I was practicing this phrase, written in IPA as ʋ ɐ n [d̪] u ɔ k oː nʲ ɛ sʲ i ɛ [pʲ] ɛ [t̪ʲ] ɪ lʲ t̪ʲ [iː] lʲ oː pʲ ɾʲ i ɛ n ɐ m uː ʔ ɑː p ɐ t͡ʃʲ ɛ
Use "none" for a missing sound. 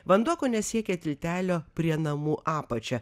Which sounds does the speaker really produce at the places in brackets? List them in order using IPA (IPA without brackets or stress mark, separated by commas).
d̪, kʲ, t̪ʲ, æː